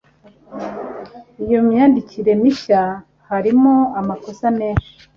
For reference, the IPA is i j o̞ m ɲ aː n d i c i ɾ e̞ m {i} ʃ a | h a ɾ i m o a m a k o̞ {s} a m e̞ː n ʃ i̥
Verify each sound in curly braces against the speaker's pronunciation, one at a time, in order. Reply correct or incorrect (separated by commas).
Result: correct, correct